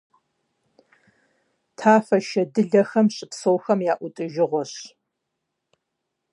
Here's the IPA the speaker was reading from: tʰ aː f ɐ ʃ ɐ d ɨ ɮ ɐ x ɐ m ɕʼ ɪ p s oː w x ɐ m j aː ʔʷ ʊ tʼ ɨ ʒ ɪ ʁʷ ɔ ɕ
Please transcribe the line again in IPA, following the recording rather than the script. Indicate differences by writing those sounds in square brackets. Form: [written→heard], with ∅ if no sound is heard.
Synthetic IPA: tʰ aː f ɐ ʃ ɐ d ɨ ɮ ɐ x ɐ m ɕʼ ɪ p s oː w x ɐ m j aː ʔʷ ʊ tʼ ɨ ʒ ɪ ʁʷ ɔ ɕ